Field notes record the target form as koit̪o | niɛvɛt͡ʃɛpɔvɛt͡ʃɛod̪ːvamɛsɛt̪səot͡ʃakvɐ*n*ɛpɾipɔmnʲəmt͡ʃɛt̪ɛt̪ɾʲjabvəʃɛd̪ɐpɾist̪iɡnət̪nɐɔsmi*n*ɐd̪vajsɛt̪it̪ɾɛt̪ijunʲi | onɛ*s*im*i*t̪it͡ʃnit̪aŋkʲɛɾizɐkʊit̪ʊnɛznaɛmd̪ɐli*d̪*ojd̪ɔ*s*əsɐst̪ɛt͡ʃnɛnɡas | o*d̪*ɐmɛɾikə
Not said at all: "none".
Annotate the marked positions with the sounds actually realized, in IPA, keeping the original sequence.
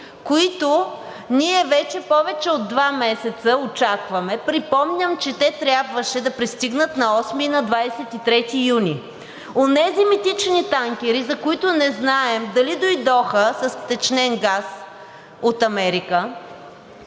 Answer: m, n, z, i, d̪, x, t̪

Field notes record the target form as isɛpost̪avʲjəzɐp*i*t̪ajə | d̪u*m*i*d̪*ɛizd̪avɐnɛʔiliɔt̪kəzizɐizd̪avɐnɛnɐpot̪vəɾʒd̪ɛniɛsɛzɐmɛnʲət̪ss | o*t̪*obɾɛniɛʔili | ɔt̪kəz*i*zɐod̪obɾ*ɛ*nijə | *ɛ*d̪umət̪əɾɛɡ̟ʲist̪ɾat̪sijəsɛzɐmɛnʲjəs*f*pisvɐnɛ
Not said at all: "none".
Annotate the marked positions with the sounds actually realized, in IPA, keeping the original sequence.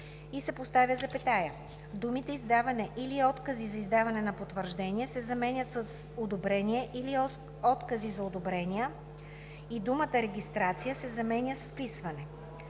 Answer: ɛ, m, t̪, d̪, i, ɛ, i, f

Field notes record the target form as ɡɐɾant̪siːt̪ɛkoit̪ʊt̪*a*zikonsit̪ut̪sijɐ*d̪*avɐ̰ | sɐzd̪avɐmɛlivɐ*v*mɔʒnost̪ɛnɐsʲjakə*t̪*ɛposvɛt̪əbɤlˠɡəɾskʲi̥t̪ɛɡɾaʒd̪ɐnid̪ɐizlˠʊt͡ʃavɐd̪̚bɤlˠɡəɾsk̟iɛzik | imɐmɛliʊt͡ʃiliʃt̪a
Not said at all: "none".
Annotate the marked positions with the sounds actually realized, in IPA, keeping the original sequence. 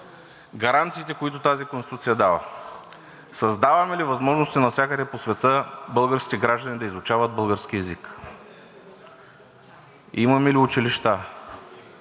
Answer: a, d̪, z, d̪

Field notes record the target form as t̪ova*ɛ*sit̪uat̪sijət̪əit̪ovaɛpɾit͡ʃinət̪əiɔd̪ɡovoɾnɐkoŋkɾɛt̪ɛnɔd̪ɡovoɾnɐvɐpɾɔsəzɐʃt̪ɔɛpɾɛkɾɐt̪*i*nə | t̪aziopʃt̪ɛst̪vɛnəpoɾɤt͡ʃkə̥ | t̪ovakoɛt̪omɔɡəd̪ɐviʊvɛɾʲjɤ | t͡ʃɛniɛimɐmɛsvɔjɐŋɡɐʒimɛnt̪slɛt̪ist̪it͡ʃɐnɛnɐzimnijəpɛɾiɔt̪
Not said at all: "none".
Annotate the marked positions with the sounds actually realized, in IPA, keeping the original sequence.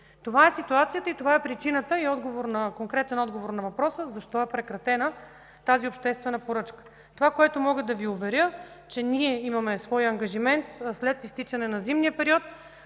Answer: ɛ, ɛ

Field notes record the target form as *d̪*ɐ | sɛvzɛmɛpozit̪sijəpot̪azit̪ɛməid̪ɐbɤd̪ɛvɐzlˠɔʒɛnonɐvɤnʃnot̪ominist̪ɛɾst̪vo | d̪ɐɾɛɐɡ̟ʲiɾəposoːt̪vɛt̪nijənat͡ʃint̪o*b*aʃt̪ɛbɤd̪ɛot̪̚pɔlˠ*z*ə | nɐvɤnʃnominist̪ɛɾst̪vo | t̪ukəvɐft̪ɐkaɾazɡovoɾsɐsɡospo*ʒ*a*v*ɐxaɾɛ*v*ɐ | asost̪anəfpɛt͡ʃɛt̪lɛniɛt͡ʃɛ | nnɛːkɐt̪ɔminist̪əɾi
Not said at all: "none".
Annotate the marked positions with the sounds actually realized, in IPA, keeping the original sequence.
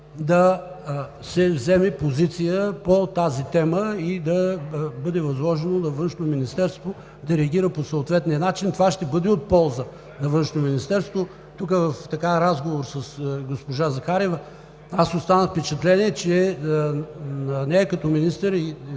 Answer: d̪, v, z, ʒ, z, v

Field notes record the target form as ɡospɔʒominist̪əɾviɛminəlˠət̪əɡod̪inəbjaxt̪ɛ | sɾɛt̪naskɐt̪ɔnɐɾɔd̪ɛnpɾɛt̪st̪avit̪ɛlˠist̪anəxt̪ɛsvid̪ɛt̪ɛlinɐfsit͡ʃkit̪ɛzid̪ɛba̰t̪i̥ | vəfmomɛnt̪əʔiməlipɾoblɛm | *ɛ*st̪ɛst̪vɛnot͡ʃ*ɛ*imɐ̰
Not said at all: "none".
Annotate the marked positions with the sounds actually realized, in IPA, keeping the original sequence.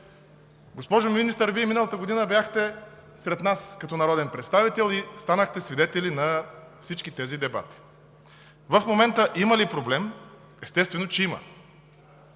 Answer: ɛ, ɛ

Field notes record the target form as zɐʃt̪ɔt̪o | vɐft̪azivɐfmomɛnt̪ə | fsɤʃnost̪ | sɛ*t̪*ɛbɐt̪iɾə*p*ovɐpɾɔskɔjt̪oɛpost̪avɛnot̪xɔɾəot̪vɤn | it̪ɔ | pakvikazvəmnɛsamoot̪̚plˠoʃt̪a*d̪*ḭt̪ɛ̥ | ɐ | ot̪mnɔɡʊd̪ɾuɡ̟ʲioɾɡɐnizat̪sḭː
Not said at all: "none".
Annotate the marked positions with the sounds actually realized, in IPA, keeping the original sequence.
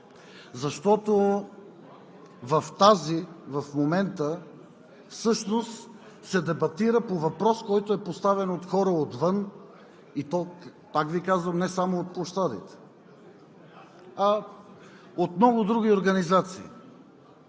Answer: d̪, p, d̪

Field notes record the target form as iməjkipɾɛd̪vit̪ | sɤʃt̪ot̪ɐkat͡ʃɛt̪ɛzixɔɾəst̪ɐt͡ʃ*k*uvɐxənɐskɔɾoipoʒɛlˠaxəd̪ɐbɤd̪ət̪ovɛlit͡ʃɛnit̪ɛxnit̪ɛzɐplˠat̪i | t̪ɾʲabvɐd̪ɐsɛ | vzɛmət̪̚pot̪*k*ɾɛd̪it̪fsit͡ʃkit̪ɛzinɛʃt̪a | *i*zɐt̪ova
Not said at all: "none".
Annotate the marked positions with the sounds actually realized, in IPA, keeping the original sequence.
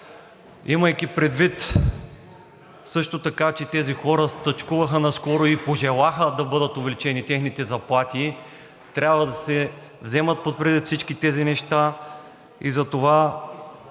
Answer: k, p, i

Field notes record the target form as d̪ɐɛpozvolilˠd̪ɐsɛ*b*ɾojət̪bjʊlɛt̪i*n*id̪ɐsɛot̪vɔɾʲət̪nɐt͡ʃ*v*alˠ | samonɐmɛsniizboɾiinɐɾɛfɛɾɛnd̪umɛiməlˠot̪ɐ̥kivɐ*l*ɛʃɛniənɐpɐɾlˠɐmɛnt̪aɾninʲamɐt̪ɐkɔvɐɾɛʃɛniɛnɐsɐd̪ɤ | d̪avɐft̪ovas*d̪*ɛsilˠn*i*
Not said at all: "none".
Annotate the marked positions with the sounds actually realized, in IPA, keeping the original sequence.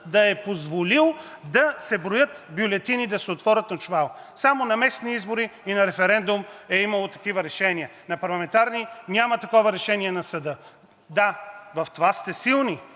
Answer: b, n, v, ɾ, t̪, i

